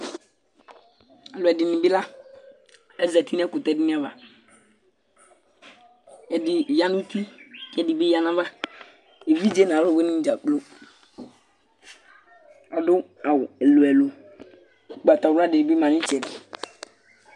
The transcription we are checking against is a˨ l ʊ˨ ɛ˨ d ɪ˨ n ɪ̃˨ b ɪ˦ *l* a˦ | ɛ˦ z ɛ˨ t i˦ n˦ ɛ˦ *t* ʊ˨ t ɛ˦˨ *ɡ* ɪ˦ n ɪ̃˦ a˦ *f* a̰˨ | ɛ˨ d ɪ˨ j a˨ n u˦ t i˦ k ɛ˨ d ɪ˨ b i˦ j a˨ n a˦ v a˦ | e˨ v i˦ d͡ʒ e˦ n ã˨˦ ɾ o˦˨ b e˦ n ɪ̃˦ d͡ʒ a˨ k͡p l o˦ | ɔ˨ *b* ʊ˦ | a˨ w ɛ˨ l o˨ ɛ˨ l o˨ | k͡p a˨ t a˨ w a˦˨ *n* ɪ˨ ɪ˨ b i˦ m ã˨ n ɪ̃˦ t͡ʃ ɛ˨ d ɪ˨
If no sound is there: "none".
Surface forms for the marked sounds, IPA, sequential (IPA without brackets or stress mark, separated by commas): l, k, d, v, d, d